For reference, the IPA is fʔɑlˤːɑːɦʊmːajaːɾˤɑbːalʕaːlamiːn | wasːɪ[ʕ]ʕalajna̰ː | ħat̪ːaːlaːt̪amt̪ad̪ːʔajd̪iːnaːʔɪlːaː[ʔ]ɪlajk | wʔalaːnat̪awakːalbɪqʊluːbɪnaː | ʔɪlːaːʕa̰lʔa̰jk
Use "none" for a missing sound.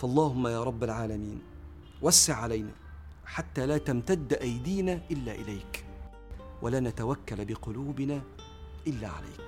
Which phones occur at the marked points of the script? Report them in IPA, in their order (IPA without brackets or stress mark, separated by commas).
ʕ, ʔ